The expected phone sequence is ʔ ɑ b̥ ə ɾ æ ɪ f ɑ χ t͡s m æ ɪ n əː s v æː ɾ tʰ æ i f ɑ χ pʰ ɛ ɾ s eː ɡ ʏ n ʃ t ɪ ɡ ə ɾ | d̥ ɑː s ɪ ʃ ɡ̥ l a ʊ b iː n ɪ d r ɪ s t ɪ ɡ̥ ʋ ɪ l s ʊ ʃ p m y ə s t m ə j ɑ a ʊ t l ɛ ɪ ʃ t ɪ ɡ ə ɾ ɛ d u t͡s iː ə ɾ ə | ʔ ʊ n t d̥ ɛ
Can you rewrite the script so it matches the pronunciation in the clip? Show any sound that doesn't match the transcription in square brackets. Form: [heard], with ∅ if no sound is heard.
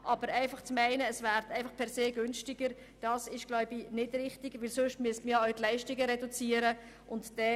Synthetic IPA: ʔ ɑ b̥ ə ɾ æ ɪ f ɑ χ t͡s m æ ɪ n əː s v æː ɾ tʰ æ [ɪ] f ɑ χ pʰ ɛ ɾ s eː ɡ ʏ n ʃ t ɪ ɡ ə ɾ | d̥ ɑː s ɪ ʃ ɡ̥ l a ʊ b [i] n ɪ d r ɪ [χ] t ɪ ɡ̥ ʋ ɪ l s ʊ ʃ [t] m y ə s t m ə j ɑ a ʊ t l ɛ ɪ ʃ t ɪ ɡ ə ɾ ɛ d u t͡s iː ə ɾ ə | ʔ ʊ n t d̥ ɛ

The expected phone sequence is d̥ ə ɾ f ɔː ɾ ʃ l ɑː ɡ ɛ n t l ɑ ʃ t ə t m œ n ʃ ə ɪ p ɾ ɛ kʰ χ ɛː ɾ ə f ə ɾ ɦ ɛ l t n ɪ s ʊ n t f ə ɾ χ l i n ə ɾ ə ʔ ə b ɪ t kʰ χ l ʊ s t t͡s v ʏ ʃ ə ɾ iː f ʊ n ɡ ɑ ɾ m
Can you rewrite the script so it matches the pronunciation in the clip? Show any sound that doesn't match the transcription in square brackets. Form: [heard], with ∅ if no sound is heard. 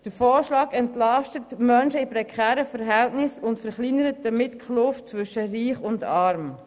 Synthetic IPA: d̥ ə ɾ f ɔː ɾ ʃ l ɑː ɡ ɛ n t l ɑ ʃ t ə t m œ n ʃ ə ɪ p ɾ ɛ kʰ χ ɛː ɾ ə f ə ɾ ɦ ɛ l t n ɪ s ʊ n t f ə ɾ χ l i n ə ɾ ə [t] ə [m] ɪ t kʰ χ l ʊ [f] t t͡s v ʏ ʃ ə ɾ iː [χ] ʊ n [d] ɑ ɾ m

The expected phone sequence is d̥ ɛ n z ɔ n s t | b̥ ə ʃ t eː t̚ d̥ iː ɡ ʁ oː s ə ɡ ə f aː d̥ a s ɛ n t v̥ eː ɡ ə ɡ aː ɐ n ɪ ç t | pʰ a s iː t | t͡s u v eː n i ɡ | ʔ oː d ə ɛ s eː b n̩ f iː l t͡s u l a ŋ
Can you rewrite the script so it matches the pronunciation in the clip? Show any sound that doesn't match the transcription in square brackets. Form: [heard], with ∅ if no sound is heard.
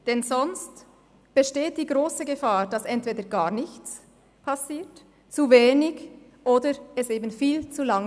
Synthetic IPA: d̥ ɛ n z ɔ n s t | b̥ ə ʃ t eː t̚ d̥ iː ɡ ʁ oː s ə ɡ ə f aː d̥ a s ɛ n t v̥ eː [d] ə ɡ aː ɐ n ɪ ç [t͡s] | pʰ a s iː t | t͡s u v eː n [ɪ] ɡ | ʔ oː d ə ɛ s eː b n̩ f iː l t͡s u l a ŋ

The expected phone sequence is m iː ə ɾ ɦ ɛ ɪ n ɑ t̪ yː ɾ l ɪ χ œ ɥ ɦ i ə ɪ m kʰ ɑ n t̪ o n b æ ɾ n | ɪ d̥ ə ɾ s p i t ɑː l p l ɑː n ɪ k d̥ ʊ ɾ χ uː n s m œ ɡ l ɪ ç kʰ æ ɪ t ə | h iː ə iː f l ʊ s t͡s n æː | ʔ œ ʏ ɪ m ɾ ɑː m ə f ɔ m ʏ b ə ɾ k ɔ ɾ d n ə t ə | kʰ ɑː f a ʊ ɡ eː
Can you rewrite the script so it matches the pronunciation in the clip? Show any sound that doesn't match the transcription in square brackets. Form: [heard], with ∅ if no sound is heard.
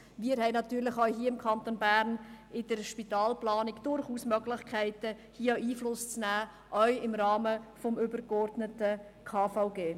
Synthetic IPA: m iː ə ɾ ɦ ɛ ɪ n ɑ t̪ yː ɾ l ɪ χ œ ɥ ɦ i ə ɪ m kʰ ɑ n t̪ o n b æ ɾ n | ɪ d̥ ə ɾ [ʃ] p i t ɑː l p l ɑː n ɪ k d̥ ʊ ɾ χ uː [∅] s m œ ɡ l ɪ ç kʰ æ ɪ t ə | h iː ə iː f l ʊ s t͡s n æː | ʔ œ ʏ ɪ m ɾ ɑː m ə f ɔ m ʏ b ə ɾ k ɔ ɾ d n ə t ə | kʰ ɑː f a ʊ ɡ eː

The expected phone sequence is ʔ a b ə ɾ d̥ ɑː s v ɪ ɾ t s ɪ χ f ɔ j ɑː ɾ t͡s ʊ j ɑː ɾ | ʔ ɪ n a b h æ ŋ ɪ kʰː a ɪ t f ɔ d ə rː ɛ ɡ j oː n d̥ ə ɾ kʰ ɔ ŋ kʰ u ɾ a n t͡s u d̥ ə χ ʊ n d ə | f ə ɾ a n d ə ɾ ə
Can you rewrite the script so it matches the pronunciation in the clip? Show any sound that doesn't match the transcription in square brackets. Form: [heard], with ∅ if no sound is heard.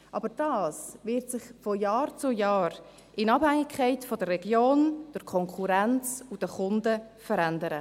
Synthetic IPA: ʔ [ɑ] b ə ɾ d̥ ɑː s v ɪ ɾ t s ɪ χ f ɔ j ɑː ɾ t͡s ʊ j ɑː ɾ | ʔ ɪ n [ɑ] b h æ ŋ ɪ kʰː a ɪ t f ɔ d ə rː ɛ ɡ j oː n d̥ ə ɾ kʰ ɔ ŋ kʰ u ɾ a n t͡s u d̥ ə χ ʊ n d ə | f ə ɾ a n d ə ɾ ə

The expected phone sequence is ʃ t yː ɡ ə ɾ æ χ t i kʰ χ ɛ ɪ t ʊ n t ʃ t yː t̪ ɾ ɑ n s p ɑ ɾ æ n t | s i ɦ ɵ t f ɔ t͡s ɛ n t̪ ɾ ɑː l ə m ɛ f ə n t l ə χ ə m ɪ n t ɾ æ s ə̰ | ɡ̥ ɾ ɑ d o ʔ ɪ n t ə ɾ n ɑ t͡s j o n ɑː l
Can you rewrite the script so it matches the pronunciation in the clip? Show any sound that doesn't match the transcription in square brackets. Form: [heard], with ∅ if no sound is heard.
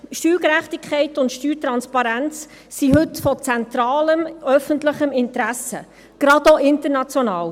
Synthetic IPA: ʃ t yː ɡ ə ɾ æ χ t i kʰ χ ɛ ɪ t ʊ n t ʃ t yː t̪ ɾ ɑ n s p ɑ ɾ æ n [t͡s] | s i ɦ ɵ t f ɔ t͡s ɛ n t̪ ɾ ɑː l ə m [œ] f ə n t l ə χ ə m ɪ n t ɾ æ s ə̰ | ɡ̥ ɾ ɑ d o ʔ ɪ n t ə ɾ n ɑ t͡s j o n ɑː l

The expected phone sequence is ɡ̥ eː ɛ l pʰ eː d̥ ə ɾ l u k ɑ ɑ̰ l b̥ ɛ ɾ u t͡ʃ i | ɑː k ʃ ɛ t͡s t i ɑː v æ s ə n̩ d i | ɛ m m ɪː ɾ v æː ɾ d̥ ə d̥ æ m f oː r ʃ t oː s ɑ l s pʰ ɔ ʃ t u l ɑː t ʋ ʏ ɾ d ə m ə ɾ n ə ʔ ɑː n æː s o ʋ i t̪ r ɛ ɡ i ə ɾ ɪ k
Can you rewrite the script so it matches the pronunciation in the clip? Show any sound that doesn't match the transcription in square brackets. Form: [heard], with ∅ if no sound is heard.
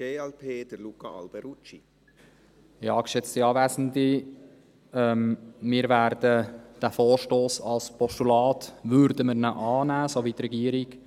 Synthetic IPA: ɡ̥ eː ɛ l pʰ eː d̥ ə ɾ l u k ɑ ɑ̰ l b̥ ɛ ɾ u t͡ʃ i | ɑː k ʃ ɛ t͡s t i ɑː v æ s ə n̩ d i | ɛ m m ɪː ɾ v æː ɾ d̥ ə d̥ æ [∅] f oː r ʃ t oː s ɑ l s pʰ ɔ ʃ t u l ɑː t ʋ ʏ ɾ d ə m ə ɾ n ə ʔ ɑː n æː s o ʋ i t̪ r ɛ ɡ i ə ɾ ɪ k

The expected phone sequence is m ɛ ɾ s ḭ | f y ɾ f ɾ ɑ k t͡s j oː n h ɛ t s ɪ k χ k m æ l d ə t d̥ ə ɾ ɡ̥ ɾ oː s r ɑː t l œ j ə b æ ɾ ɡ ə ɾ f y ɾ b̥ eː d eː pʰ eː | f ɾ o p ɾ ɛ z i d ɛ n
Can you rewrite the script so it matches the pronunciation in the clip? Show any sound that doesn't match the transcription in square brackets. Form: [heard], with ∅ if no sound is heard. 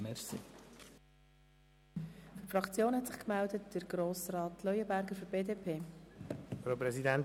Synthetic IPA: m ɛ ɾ s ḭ | f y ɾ f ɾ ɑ k t͡s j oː n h ɛ t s ɪ [∅] χ k m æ l d ə t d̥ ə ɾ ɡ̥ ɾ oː s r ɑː t l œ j ə b æ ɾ ɡ ə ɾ f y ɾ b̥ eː d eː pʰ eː | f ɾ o p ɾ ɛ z i d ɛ n

